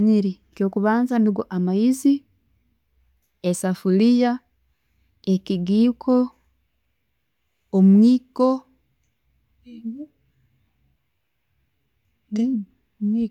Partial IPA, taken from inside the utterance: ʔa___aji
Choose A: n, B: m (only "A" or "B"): B